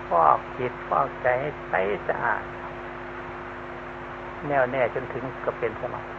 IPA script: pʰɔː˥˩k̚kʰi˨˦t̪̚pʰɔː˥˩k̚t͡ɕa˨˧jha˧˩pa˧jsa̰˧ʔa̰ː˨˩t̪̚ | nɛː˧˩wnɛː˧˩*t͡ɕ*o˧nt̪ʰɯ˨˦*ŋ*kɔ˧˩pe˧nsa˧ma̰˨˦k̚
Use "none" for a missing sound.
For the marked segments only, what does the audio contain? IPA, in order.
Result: t͡ɕ, ŋ

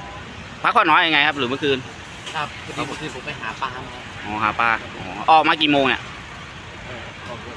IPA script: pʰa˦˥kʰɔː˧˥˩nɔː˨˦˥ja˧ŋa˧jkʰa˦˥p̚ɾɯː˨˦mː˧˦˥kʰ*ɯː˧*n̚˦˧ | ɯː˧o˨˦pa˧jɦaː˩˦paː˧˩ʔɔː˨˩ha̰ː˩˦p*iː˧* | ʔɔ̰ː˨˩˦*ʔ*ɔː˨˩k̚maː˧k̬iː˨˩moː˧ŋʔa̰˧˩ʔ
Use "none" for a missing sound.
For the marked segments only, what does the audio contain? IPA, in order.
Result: ɯː˧, aː˧, ʔ

